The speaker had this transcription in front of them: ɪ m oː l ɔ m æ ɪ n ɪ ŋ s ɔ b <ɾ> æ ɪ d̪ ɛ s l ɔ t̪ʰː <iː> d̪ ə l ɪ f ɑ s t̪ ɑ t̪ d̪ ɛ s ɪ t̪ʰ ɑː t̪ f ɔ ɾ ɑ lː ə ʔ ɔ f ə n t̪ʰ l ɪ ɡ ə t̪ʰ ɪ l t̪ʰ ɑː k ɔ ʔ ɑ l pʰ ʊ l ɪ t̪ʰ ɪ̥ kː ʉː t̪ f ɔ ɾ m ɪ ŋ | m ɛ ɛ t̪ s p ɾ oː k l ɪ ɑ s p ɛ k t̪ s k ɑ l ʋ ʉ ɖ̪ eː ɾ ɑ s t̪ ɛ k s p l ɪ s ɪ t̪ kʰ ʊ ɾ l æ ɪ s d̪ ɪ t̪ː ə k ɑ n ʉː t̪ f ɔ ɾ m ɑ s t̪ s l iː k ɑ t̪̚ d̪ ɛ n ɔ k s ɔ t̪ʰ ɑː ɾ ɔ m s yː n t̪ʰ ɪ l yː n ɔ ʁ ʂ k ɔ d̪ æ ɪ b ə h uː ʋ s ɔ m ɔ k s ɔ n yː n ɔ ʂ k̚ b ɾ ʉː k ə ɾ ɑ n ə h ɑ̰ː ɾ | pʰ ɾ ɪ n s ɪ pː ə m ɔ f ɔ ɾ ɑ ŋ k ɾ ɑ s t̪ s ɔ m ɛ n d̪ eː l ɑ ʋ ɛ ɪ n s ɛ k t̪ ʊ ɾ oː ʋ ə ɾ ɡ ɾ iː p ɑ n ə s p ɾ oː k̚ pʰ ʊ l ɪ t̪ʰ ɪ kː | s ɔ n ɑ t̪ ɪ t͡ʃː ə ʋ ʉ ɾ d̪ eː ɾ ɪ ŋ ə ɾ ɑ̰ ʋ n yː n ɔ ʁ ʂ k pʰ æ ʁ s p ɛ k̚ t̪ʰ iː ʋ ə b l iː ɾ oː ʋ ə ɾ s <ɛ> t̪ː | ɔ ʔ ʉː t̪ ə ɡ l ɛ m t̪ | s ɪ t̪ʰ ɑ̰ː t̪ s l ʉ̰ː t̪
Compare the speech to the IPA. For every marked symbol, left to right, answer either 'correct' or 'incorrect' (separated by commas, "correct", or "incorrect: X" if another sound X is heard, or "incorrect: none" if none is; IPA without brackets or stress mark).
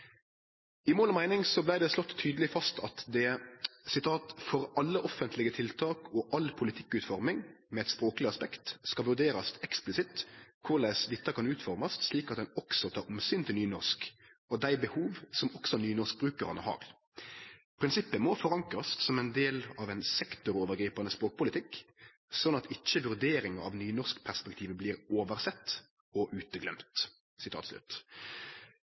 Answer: incorrect: l, incorrect: yː, correct